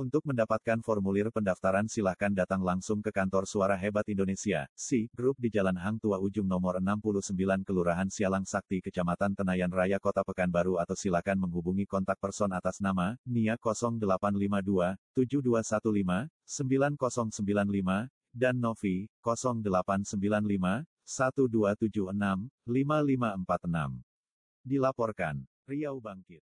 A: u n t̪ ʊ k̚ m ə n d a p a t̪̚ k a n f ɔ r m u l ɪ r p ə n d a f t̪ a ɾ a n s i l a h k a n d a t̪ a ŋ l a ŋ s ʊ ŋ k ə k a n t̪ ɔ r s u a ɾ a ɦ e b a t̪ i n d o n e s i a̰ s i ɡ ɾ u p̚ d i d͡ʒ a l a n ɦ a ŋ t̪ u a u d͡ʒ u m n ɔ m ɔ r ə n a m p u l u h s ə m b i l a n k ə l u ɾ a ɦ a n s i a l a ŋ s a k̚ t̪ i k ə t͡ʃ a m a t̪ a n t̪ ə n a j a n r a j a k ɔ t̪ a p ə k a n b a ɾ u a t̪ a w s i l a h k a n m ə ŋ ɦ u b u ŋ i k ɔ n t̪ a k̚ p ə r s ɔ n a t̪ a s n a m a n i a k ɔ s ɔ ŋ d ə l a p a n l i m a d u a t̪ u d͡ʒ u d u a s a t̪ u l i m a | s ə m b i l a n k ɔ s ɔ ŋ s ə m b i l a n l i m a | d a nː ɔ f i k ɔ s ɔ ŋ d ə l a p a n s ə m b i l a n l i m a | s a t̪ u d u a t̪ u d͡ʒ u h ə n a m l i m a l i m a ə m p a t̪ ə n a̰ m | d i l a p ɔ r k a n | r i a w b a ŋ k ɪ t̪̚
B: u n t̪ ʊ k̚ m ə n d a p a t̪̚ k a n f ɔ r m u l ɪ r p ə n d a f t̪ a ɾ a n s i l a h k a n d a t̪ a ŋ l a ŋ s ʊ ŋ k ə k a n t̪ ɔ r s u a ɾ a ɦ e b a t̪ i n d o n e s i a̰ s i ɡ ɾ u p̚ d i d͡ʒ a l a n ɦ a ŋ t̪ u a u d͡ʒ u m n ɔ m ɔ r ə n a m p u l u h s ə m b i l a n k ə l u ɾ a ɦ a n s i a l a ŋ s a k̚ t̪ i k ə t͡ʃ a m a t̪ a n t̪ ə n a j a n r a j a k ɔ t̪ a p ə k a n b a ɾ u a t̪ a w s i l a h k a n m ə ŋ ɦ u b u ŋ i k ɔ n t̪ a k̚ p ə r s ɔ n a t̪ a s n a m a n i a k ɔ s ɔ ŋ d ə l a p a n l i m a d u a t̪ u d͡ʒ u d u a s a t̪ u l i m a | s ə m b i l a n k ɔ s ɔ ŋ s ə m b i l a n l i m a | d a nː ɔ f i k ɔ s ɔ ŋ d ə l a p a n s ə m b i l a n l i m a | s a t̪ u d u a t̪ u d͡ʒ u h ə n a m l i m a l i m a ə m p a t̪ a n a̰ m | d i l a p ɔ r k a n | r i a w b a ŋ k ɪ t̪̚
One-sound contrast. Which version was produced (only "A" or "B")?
A